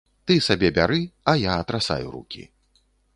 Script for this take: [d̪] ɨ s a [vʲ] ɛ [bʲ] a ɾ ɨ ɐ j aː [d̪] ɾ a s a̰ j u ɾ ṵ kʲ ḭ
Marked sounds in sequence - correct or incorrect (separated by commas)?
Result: incorrect, incorrect, correct, incorrect